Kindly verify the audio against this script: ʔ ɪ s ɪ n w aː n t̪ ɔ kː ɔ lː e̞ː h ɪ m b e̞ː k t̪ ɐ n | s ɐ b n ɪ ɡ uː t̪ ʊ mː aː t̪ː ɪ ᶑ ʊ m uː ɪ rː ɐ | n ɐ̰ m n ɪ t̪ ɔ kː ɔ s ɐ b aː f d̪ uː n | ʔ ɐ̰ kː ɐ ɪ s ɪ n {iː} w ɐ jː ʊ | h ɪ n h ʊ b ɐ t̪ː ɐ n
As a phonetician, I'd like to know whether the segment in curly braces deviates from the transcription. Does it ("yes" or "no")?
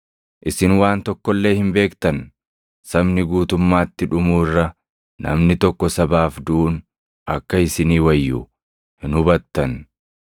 no